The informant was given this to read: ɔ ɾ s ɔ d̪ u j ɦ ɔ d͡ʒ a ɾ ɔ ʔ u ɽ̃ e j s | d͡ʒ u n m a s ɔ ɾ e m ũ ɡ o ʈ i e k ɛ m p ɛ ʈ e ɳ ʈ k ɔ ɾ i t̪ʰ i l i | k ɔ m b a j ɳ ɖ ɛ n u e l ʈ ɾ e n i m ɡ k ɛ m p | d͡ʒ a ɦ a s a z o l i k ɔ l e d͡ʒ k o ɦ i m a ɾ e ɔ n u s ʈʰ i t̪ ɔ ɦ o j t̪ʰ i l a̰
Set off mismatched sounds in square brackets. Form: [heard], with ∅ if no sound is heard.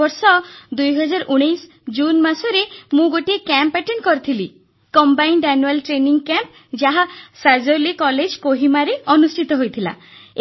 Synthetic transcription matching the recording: ɔ ɾ s ɔ d̪ u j ɦ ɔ d͡ʒ a ɾ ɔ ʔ u ɽ̃ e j s | d͡ʒ u n m a s ɔ ɾ e m ũ ɡ o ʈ i e k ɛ m p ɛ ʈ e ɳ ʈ k ɔ ɾ i t̪ʰ i l i | k ɔ m b a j ɳ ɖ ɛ n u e l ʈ ɾ e n i [ŋ] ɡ k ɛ m p | d͡ʒ a ɦ a s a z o l i k ɔ l e d͡ʒ k o ɦ i m a ɾ e ɔ n u s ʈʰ i t̪ ɔ ɦ o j t̪ʰ i l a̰